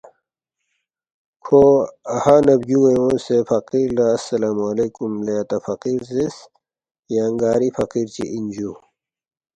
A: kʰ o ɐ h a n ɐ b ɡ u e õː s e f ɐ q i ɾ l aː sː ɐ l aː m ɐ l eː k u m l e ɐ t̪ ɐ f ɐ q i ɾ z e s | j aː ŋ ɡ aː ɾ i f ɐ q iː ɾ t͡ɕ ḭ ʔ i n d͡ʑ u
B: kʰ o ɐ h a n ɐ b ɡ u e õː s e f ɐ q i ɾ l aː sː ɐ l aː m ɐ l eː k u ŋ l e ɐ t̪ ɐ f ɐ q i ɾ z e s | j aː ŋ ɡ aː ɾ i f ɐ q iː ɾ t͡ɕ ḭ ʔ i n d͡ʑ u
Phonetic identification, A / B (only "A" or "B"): A